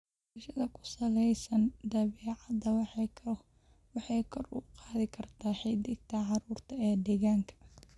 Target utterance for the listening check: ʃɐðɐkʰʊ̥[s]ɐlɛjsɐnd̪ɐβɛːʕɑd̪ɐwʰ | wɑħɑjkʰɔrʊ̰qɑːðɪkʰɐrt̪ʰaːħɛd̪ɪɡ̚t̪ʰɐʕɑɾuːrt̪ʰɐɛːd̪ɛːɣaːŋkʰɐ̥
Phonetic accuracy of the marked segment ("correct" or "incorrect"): correct